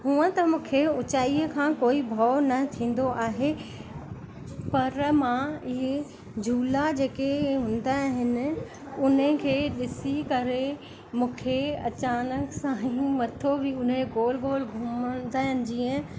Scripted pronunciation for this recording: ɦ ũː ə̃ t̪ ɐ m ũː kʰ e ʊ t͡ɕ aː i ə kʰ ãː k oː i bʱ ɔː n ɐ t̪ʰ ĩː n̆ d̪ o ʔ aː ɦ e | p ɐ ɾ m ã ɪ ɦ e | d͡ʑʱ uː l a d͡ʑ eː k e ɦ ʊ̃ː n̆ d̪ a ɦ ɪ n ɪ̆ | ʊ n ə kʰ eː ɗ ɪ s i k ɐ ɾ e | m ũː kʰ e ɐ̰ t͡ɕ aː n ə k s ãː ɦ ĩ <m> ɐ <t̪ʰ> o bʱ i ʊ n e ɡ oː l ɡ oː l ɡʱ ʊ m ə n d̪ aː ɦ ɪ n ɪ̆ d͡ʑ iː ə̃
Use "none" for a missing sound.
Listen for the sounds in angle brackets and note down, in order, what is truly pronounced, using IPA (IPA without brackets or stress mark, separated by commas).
m, t̪ʰ